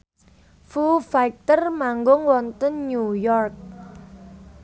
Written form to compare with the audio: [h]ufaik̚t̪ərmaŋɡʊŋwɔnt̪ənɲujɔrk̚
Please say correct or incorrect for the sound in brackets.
incorrect